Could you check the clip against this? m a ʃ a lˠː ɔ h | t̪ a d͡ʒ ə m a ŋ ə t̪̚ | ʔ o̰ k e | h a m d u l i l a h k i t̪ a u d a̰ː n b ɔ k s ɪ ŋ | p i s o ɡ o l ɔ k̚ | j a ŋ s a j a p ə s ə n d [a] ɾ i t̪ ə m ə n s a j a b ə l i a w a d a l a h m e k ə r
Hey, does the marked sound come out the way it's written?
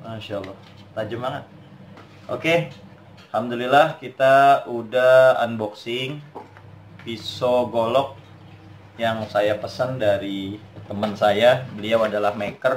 yes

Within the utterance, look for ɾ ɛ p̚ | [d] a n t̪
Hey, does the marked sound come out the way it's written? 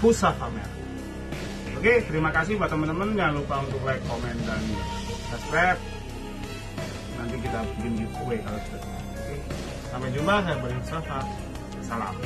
no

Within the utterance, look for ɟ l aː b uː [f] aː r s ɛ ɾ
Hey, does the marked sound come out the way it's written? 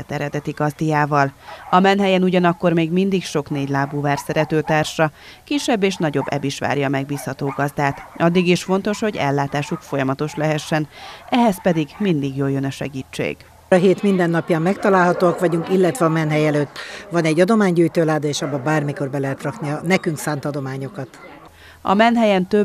no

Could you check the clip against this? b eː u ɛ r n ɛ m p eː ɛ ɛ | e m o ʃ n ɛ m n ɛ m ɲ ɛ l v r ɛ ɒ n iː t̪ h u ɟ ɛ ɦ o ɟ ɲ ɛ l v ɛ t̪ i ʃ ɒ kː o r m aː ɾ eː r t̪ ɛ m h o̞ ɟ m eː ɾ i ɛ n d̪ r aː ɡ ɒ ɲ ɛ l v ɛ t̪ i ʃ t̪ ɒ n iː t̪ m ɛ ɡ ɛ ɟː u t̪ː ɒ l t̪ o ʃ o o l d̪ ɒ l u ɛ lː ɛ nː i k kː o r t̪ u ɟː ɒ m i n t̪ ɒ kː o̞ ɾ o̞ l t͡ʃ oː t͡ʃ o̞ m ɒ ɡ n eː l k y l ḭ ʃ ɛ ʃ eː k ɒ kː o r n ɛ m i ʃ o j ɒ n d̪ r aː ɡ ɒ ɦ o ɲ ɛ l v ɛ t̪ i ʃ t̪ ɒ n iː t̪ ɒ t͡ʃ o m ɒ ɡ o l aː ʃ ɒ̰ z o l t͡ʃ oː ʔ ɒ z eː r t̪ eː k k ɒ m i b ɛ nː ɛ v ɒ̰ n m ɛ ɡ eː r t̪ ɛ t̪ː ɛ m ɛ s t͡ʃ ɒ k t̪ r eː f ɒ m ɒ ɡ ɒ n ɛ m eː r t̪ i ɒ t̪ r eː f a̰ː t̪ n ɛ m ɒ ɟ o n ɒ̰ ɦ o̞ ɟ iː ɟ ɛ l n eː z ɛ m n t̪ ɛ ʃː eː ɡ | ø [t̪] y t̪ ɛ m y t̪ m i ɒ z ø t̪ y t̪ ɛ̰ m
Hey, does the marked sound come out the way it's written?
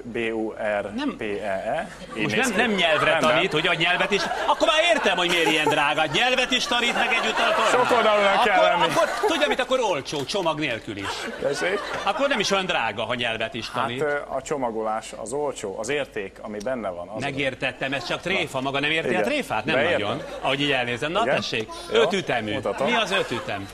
yes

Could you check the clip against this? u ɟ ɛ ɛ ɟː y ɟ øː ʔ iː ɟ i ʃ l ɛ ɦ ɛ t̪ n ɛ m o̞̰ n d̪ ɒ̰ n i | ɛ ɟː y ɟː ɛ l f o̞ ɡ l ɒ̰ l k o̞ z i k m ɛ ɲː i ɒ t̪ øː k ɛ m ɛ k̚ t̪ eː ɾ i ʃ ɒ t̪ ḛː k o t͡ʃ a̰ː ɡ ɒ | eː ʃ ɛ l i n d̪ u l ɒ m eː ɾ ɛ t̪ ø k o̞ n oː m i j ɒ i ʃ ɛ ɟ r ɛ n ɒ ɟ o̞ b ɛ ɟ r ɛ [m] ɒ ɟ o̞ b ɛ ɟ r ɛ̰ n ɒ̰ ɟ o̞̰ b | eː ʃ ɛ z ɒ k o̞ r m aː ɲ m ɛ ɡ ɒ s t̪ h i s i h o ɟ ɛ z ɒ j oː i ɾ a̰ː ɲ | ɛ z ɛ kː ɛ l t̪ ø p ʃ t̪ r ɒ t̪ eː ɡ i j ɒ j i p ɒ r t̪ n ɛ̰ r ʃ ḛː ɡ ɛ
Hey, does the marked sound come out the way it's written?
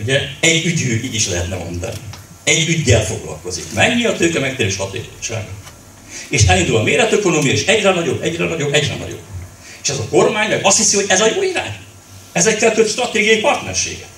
no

